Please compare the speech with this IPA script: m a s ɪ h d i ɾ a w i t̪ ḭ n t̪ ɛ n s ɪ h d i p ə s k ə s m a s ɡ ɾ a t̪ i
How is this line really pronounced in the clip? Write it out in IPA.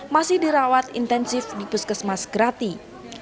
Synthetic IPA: m a s ɪ h d i ɾ a w a t̪ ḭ n t̪ ɛ n s ɪ f d i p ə s k ə s m a s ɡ ɾ a t̪ i